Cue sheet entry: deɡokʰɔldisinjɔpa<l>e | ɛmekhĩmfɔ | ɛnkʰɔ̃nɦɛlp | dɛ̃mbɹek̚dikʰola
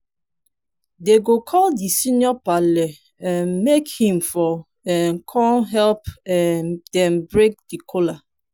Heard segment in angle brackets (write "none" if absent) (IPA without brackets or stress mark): l